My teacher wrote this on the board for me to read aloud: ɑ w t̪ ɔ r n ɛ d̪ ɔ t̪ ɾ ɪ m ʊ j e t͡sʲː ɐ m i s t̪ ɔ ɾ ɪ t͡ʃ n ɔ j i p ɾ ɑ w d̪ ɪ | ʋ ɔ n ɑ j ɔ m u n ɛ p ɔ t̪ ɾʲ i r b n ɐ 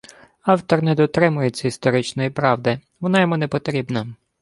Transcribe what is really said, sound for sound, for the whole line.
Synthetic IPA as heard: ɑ w t̪ ɔ r n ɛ d̪ ɔ t̪ ɾ ɪ m ʊ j e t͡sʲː ɐ i s t̪ ɔ ɾ ɪ t͡ʃ n ɔ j i p ɾ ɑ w d̪ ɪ | ʋ ɔ n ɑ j ɔ m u n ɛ p ɔ t̪ ɾʲ i b n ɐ

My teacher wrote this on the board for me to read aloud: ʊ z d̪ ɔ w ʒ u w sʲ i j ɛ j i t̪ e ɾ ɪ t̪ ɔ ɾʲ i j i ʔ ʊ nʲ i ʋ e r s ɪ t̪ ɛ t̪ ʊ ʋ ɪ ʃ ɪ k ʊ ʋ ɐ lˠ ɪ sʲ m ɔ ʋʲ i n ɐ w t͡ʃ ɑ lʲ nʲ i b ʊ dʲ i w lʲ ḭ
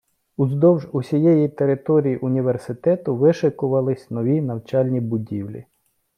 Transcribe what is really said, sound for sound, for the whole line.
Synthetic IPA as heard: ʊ z d̪ ɔ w ʒ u sʲ i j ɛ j i t̪ e ɾ ɪ t̪ ɔ ɾʲ i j i ʔ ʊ nʲ i ʋ e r s ɪ t̪ ɛ t̪ ʊ ʋ ɪ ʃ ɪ k ʊ ʋ ɐ lˠ ɪ sʲ n ɔ ʋʲ i n ɐ w t͡ʃ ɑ lʲ nʲ i b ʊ dʲ i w lʲ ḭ

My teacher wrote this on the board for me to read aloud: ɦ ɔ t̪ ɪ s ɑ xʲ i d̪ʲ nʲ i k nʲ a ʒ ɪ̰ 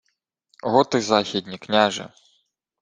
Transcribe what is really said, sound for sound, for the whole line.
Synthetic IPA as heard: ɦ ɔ t̪ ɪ z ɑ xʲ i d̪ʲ nʲ i k nʲ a ʒ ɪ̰

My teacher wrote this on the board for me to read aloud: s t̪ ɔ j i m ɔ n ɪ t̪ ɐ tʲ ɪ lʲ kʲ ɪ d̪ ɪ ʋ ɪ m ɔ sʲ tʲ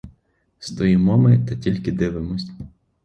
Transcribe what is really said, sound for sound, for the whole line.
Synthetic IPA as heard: s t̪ ɔ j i m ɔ m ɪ t̪ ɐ tʲ i lʲ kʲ ɪ d̪ ɪ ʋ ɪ m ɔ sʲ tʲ

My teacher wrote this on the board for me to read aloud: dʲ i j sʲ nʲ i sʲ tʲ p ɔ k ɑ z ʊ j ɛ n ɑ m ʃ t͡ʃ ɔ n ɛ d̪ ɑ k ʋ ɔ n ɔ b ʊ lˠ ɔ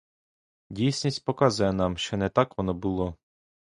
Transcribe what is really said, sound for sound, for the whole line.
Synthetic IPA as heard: dʲ i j sʲ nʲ i sʲ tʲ p ɔ k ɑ z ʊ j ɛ n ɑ m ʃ t͡ʃ ɔ n ɛ t̪ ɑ k ʋ ɔ n ɔ b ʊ lˠ ɔ

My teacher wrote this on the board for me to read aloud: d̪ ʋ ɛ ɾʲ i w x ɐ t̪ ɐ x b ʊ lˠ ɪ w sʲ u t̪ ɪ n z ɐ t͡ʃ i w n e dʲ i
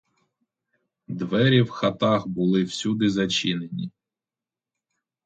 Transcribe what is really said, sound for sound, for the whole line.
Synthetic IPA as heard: d̪ ʋ ɛ ɾʲ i w x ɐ t̪ ɑ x b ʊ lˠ ɪ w sʲ u d̪ ɪ z ɐ t͡ʃ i n e nʲ i

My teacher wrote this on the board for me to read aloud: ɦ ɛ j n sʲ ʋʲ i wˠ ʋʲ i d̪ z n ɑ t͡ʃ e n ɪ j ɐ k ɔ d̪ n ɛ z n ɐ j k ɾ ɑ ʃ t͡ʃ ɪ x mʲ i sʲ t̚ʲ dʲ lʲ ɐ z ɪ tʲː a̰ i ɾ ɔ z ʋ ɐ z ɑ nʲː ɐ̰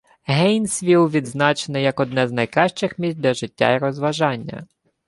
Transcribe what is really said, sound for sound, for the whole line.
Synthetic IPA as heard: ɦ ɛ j n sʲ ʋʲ i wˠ ʋʲ i d̪ z n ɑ t͡ʃ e n ɪ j ɐ k ɔ d̪ n ɛ z n ɐ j k ɾ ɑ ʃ t͡ʃ ɪ x mʲ i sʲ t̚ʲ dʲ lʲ ɐ ʒ ɪ tʲː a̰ i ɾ ɔ z ʋ ɐ ʒ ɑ nʲː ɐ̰

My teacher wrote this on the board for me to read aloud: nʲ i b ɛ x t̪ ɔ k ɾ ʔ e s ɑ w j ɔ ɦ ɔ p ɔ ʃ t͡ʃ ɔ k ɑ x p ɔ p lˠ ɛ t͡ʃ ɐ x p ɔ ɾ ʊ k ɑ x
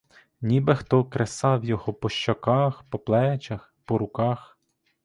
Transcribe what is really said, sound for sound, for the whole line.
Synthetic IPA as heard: nʲ i b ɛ x t̪ ɔ k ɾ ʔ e s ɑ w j ɔ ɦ ɔ p ɔ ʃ t͡ʃ ɔ k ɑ x p ɔ p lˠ ɛ t͡ʃ ɐ x p ɔ ɾ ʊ k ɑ x

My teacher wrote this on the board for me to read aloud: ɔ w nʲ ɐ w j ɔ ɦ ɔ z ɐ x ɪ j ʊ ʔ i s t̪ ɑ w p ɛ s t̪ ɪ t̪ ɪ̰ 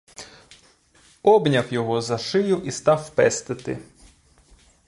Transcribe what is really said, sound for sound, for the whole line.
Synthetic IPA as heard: ɔ b nʲ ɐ w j ɔ ɦ ɔ z ɐ ʃ ɪ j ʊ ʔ i s t̪ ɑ w p ɛ s t̪ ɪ t̪ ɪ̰

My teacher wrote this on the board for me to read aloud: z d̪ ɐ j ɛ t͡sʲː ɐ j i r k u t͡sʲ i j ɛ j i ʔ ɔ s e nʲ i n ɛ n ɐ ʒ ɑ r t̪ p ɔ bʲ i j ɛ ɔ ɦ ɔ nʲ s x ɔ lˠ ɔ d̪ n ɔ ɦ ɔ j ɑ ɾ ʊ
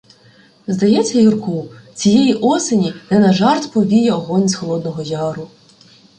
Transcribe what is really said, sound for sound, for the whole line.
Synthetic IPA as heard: z d̪ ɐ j ɛ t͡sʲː ɐ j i r k u t͡sʲ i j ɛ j i ʔ ɔ s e nʲ i n ɛ n ɐ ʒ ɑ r t̪ p ɔ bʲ i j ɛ ɔ ɦ ɔ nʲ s x ɔ lˠ ɔ d̪ n ɔ ɦ ɔ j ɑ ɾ ʊ

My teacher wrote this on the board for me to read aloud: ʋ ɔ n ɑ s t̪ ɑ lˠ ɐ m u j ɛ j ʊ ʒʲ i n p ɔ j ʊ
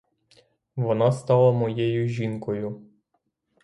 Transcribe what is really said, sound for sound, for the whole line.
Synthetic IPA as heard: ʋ ɔ n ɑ s t̪ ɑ lˠ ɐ m ɔ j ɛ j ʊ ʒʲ i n k ɔ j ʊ

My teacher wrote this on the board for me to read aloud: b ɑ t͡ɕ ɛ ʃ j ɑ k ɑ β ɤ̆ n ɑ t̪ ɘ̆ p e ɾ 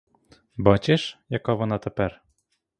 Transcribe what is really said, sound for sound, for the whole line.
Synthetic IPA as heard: b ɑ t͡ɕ e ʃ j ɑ k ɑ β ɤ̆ n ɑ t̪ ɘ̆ p æ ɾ

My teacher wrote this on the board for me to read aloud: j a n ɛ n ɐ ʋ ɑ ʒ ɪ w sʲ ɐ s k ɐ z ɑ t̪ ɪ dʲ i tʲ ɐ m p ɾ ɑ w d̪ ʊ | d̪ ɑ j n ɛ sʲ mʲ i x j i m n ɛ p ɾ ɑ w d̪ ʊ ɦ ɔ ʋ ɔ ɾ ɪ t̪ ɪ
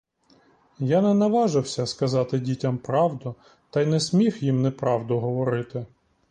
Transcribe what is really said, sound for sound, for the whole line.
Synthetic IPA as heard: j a n ɛ n ɐ ʋ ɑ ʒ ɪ w sʲ ɐ s k ɐ z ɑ t̪ ɪ dʲ i tʲ ɐ m p ɾ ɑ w d̪ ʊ | t̪ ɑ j n ɛ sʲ mʲ i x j i m n ɛ p ɾ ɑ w d̪ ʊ ɦ ɔ ʋ ɔ ɾ ɪ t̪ ɪ

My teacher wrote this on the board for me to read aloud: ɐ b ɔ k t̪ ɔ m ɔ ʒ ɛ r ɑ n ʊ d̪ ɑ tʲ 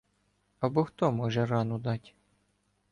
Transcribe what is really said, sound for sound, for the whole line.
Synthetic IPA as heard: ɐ b ɔ x t̪ ɔ m ɔ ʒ ɛ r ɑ n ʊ d̪ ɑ tʲ

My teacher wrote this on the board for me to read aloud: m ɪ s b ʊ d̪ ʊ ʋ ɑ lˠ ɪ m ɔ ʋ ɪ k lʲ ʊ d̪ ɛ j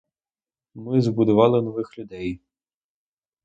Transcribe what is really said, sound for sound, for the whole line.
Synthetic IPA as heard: m ɪ z b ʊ d̪ ʊ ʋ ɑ lˠ ɪ n ɔ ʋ ɪ x lʲ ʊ d̪ ɛ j

